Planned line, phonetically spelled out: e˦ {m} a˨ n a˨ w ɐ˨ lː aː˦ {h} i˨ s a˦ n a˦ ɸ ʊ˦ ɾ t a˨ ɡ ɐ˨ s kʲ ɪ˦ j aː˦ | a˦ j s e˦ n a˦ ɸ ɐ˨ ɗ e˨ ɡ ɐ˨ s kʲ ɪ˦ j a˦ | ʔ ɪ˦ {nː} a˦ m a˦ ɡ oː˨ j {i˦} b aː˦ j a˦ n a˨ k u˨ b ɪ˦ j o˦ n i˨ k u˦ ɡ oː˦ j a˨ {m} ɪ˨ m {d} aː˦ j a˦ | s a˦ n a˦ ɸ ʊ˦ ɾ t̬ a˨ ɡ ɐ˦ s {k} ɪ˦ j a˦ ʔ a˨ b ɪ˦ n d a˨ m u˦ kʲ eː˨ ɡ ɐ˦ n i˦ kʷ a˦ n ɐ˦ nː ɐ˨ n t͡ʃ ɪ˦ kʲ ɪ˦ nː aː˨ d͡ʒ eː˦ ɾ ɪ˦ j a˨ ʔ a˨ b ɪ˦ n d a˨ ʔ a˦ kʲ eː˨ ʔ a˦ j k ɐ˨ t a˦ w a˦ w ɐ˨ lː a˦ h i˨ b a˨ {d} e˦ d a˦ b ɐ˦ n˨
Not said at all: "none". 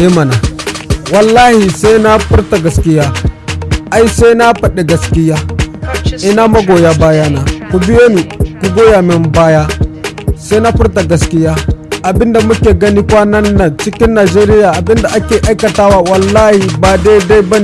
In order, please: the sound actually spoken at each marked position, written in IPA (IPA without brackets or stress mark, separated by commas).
m, h, n, a˦, m, b, k, d